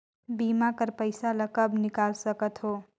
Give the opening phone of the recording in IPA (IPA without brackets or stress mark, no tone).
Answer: b